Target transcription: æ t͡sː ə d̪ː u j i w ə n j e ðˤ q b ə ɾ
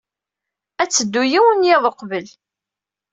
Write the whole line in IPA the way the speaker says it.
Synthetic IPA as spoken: æ t͡sː ə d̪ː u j i w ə n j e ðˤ q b ə l